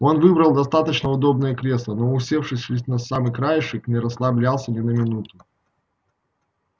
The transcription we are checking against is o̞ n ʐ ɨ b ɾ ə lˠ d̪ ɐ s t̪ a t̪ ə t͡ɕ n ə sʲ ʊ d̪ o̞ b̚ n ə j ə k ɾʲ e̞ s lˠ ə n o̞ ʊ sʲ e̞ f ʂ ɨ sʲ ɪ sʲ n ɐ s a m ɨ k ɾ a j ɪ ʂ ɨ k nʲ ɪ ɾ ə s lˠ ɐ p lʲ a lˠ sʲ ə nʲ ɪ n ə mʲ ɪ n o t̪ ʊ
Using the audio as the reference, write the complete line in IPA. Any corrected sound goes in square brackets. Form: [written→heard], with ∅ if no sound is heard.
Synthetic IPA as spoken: o̞ n [ʐ→v] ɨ b ɾ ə lˠ d̪ ɐ s t̪ a t̪ ə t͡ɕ n ə [sʲ→∅] ʊ d̪ o̞ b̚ n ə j ə k ɾʲ e̞ s lˠ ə n o̞ ʊ sʲ e̞ f ʂ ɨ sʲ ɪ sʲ n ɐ s a m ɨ k ɾ a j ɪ ʂ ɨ k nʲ ɪ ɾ ə s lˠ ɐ [p→b] lʲ a lˠ sʲ ə nʲ ɪ n ə mʲ ɪ n [o→u] t̪ ʊ